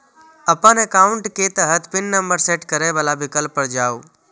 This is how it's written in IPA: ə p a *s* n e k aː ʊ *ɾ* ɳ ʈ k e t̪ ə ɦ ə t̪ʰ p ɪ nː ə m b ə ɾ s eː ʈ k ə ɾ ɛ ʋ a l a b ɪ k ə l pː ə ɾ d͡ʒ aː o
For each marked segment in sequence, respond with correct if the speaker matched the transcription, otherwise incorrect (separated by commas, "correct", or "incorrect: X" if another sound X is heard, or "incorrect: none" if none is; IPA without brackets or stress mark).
incorrect: none, incorrect: none